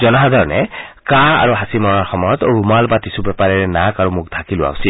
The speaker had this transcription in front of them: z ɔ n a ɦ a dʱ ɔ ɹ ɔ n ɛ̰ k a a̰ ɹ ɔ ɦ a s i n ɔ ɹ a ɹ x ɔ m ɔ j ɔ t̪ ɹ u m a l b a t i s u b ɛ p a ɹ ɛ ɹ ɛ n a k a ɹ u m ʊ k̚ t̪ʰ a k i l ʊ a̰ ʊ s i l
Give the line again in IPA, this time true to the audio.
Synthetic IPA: z ɔ n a ɦ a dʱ ɔ ɹ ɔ n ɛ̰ k a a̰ ɹ u ɦ a s i m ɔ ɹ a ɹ x ɔ m ɔ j ɔ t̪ ɹ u m a l b a t i s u b ɛ p a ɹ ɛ ɹ ɛ n a k a ɹ u m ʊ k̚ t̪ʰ a k i l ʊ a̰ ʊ s i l